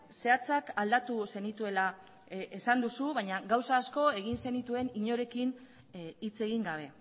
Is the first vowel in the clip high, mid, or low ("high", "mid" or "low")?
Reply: mid